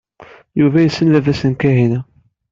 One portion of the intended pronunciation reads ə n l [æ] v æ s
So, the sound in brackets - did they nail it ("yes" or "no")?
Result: yes